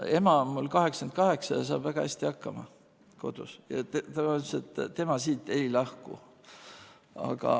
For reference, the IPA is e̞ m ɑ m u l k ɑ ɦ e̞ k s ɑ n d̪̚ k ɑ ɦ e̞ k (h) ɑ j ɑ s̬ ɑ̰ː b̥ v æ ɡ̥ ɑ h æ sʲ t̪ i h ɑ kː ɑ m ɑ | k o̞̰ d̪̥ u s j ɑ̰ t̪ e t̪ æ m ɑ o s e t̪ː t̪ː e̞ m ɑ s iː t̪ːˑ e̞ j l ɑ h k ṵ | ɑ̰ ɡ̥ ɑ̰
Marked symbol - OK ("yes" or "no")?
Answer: no